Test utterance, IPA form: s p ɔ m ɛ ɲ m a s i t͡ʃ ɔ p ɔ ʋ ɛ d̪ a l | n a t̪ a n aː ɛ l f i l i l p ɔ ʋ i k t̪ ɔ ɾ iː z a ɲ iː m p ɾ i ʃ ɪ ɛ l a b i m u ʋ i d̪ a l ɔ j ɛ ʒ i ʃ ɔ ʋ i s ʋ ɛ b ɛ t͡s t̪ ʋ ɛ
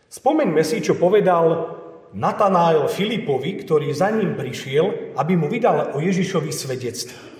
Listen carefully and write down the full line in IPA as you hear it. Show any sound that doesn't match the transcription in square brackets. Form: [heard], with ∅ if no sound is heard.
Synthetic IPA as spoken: s p ɔ m ɛ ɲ m [ɛ] s i t͡ʃ ɔ p ɔ ʋ ɛ d̪ a l | n a t̪ a n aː ɛ l f i l i [∅] p ɔ ʋ i k t̪ ɔ ɾ iː z a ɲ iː m p ɾ i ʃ ɪ ɛ l a b i m u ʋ i d̪ a l ɔ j ɛ ʒ i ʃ ɔ ʋ i s ʋ ɛ [ɟ] ɛ t͡s t̪ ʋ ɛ